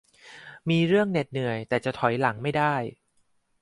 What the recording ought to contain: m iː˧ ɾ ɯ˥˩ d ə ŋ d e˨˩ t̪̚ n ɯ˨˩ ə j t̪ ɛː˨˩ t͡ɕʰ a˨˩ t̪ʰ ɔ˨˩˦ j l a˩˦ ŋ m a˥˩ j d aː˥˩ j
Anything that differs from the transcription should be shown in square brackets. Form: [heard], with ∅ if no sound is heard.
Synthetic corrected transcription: m iː˧ ɾ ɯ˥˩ [∅] ə ŋ [n] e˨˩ t̪̚ n ɯ˨˩ ə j t̪ ɛː˨˩ [t͡ɕ] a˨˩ t̪ʰ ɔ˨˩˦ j l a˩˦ ŋ m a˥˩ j d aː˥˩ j